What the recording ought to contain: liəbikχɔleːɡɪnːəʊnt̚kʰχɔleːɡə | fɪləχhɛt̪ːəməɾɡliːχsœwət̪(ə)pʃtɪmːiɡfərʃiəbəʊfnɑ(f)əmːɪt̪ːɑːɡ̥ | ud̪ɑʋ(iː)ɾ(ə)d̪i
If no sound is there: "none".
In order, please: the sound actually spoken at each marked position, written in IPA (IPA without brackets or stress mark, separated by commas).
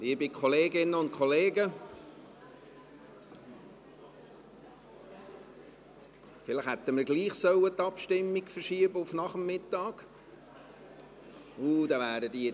ɑ, χ, æː, ə